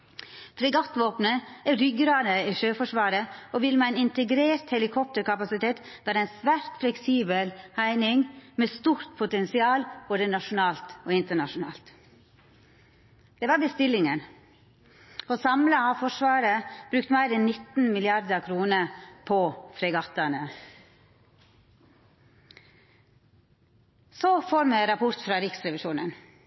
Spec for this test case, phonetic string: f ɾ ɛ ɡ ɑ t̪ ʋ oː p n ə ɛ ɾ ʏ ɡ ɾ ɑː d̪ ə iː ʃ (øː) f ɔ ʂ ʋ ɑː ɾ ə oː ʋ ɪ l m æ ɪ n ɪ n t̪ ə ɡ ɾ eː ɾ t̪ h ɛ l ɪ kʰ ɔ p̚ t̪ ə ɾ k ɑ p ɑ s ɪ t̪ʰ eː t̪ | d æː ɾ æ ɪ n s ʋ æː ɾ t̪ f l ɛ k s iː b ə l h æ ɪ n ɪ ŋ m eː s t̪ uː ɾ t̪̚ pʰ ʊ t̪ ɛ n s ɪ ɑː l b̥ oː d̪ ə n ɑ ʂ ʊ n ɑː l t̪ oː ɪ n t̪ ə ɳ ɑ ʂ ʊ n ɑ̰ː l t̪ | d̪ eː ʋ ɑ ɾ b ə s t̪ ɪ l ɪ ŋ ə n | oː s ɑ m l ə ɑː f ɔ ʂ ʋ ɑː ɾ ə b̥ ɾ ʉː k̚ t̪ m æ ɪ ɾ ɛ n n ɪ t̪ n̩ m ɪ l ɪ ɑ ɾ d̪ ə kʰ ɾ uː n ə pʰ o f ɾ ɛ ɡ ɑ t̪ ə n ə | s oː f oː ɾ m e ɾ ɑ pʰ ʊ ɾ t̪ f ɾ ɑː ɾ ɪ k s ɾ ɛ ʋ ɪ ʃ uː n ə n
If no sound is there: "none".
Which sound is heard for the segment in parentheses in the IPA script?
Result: øː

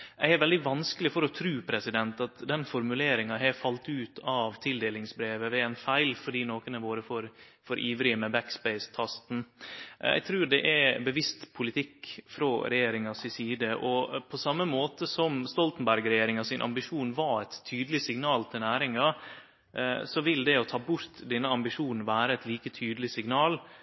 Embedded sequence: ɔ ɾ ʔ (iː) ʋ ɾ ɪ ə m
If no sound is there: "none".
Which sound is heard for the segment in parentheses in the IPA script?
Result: iː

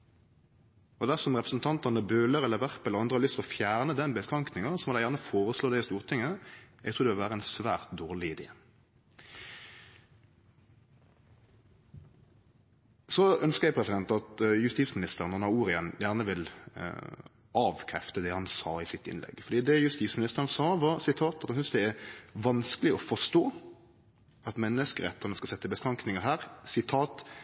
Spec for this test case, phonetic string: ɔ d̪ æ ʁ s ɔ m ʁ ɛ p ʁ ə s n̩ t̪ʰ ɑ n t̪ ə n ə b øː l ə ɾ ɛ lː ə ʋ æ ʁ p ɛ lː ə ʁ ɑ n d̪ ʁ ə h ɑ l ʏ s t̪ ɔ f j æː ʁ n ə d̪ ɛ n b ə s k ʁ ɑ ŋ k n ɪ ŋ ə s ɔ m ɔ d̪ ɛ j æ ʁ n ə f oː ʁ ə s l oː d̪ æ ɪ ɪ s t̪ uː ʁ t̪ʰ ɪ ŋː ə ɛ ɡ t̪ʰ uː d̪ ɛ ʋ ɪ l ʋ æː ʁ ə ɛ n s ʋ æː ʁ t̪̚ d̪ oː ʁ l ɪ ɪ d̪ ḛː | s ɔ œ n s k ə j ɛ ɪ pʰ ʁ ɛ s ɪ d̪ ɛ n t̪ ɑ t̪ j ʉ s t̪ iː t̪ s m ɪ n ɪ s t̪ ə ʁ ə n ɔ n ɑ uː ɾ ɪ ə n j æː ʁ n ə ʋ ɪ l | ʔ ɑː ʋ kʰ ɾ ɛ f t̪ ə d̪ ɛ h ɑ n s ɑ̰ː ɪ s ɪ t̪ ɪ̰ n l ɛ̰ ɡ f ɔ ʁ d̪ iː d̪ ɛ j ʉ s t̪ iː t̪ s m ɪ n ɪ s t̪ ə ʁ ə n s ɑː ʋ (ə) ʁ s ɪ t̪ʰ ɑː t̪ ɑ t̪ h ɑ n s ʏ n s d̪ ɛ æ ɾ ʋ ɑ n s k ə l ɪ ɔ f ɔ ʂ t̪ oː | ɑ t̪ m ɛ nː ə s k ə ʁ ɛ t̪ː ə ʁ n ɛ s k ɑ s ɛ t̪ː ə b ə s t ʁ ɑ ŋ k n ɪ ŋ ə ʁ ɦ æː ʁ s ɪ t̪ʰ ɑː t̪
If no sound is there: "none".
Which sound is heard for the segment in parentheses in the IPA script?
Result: ɑ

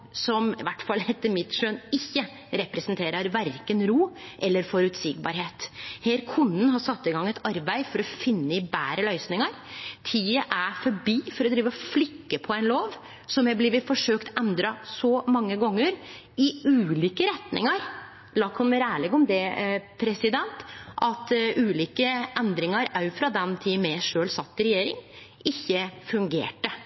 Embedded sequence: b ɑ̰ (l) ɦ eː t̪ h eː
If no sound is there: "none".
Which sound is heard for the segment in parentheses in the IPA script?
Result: ɾ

